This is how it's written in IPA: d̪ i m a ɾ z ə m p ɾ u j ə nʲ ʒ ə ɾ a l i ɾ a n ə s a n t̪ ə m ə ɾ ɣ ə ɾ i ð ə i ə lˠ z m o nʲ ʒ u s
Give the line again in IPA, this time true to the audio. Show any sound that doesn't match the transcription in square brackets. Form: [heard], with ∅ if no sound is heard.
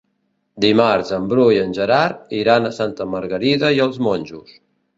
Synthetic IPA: d̪ i m a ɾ z ə m [b] ɾ u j ə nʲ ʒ ə ɾ a [ɾ] i ɾ a n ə s a n t̪ ə m ə ɾ ɣ ə ɾ i ð ə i ə lˠ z m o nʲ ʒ u s